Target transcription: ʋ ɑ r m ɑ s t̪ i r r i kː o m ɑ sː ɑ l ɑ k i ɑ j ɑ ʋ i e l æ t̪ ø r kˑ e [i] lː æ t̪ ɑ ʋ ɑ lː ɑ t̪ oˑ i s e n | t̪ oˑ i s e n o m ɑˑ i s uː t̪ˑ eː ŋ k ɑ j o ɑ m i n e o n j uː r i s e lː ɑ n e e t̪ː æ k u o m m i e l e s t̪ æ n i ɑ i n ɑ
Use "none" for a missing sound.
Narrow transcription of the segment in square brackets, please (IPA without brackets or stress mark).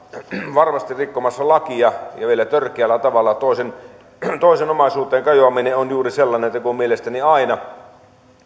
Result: æ